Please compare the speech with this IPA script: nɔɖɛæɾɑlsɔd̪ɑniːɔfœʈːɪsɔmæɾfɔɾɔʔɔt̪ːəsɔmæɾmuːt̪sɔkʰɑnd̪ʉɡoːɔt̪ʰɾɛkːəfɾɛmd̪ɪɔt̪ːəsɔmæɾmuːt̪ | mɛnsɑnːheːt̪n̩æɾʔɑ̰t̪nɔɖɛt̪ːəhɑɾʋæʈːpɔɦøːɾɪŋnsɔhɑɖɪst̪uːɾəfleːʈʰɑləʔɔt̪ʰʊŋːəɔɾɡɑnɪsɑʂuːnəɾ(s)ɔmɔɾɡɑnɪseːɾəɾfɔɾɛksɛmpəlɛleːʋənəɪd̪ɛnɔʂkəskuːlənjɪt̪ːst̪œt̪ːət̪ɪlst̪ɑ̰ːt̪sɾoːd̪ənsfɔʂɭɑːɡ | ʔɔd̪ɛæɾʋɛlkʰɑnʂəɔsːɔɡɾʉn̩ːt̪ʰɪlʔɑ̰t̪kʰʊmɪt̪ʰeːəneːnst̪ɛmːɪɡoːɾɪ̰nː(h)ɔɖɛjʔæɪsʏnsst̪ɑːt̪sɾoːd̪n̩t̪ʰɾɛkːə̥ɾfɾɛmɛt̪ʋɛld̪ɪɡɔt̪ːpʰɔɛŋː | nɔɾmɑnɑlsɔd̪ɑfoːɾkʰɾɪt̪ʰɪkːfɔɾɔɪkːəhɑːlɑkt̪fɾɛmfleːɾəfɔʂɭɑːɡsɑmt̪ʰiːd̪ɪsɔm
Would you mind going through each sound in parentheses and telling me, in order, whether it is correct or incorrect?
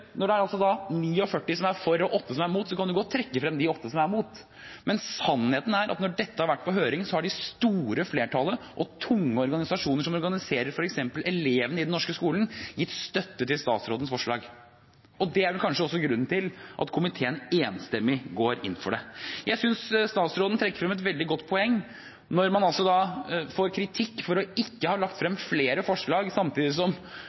incorrect, incorrect

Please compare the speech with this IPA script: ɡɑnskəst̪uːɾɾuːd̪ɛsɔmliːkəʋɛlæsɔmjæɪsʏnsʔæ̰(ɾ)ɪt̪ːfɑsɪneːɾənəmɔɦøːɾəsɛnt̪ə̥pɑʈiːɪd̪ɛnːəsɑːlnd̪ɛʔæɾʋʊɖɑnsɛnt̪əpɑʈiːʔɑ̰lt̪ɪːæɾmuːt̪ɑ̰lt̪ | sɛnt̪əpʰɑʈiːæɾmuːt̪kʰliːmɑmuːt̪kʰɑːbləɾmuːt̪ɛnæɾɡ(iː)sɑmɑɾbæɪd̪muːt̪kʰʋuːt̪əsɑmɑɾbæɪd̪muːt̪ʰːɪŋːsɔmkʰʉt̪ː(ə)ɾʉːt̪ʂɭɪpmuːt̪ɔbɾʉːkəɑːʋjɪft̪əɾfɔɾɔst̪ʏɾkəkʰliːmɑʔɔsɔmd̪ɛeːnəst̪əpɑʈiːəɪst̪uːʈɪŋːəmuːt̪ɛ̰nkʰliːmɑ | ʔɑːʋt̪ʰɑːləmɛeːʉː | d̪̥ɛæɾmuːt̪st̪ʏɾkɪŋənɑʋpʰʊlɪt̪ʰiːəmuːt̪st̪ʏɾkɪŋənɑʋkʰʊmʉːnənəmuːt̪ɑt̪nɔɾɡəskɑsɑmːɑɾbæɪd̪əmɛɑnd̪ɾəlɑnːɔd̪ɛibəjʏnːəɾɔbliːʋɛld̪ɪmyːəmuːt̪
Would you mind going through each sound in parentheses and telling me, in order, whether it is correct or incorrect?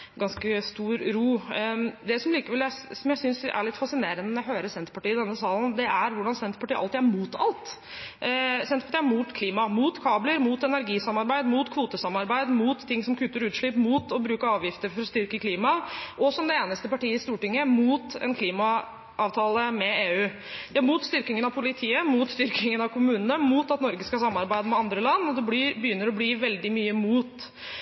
incorrect, correct, correct

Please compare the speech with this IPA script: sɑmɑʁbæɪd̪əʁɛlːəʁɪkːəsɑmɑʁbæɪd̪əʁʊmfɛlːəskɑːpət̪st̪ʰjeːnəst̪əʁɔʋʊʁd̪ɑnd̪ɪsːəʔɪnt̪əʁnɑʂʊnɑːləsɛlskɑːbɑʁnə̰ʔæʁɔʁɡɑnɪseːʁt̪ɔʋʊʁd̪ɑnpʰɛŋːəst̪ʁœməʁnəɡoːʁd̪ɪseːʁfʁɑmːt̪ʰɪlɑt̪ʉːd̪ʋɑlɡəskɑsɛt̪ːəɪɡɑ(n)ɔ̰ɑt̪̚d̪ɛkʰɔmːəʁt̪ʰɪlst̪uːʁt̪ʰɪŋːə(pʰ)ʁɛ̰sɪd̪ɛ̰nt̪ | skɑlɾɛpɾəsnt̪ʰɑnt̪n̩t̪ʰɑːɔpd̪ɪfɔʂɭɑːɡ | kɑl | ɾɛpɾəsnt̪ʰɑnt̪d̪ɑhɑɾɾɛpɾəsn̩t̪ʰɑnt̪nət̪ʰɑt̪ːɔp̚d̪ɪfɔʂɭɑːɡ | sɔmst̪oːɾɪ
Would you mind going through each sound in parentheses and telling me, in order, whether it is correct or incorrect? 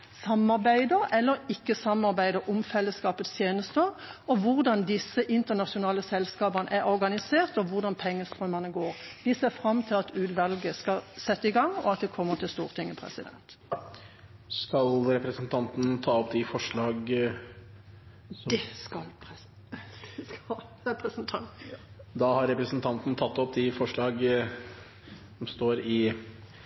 incorrect, correct

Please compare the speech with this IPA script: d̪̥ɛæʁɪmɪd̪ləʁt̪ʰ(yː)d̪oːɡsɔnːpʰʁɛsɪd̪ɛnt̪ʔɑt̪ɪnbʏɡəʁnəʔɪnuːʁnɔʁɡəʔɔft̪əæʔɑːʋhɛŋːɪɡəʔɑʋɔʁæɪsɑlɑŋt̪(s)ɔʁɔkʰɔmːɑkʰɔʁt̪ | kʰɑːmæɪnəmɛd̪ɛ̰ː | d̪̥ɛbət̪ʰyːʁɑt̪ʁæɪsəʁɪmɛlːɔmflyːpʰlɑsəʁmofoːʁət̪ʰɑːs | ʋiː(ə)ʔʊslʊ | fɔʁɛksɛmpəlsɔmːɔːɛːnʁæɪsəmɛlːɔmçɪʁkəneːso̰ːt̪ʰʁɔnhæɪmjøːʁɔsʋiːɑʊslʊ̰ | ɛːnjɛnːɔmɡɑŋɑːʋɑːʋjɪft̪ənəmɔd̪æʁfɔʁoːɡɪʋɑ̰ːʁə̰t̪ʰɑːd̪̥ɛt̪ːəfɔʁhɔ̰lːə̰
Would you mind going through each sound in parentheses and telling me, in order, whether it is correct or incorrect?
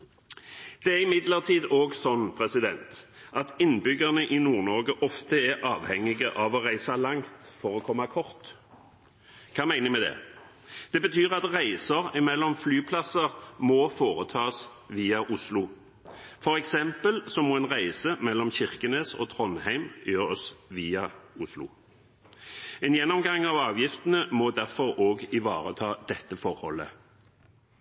incorrect, incorrect, incorrect

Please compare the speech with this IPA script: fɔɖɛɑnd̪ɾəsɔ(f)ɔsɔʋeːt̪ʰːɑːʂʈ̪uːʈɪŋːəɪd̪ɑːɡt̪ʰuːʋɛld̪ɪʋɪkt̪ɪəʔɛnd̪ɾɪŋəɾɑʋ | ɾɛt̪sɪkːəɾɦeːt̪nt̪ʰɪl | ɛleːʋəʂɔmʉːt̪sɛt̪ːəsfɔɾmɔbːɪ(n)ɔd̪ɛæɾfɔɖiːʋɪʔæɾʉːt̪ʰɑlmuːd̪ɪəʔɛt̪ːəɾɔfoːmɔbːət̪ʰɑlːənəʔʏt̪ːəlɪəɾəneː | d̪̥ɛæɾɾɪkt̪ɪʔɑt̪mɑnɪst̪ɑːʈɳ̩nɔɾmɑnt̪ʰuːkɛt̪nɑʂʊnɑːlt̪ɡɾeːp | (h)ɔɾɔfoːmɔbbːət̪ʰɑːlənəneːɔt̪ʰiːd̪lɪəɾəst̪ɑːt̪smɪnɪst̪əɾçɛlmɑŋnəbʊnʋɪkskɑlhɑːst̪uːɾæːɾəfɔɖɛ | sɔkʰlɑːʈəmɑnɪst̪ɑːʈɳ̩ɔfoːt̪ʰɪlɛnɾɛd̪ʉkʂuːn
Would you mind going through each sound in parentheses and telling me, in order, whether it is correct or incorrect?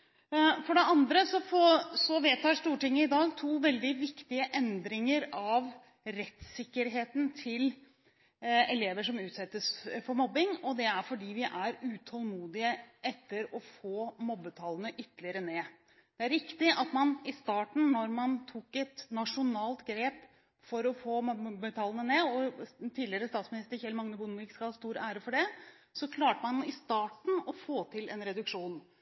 correct, incorrect, incorrect

